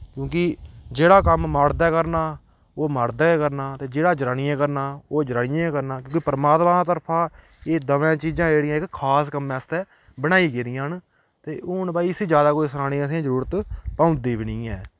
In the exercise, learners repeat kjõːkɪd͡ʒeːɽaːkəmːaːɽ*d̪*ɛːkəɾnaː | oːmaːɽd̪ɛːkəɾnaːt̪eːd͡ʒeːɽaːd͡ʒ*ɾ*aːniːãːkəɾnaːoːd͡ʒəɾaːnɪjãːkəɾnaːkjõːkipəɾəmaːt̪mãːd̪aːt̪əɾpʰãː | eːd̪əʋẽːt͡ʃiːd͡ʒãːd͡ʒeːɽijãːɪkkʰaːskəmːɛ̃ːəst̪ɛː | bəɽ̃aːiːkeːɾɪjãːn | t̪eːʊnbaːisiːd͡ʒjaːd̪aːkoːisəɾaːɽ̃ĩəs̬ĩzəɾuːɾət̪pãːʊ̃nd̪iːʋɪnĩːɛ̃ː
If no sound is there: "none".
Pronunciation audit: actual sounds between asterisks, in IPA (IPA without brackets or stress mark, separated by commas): d̪, ɾ